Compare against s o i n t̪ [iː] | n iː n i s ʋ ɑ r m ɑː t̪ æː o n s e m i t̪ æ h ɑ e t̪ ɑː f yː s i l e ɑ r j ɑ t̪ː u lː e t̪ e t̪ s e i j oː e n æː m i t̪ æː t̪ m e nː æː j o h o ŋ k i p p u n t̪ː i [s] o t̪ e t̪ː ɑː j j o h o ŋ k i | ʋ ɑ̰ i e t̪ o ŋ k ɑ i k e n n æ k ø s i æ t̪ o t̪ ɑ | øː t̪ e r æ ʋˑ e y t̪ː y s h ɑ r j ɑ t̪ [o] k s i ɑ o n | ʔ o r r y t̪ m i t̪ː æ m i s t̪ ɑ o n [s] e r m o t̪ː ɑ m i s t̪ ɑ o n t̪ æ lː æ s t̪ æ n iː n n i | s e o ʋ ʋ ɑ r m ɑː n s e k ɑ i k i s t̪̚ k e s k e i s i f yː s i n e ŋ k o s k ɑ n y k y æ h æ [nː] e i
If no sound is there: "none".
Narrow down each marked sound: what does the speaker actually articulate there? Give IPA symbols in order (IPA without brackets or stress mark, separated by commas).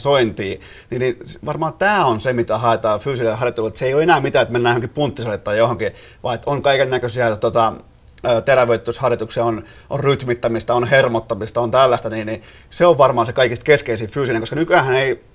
iː, s, u, h, n